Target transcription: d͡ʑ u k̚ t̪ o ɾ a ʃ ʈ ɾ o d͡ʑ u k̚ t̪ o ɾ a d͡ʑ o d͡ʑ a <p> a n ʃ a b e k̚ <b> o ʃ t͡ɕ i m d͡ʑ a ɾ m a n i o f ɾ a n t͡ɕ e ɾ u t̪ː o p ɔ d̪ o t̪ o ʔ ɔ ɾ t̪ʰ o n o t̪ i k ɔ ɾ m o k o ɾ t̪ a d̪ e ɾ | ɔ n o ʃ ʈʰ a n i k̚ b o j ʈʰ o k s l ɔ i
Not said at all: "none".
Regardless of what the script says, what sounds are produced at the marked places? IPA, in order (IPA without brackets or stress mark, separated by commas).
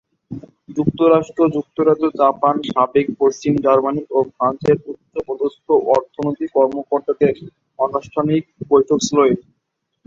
p, p